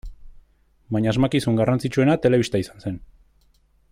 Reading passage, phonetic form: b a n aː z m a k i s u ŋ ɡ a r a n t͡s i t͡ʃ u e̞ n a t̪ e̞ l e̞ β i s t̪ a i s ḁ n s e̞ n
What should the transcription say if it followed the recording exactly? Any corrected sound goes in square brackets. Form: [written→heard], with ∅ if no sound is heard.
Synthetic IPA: b a [n→ɲ] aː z m a k i s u ŋ ɡ a r a n t͡s i t͡ʃ u e̞ n a t̪ e̞ l e̞ β i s t̪ a i s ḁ n s e̞ n